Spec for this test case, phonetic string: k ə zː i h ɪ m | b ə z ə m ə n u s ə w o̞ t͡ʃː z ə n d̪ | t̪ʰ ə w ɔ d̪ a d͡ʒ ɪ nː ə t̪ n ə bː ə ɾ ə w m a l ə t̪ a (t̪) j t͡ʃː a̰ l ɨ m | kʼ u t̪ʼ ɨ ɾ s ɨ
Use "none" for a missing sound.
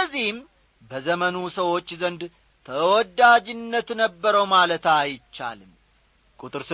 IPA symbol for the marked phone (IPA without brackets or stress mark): none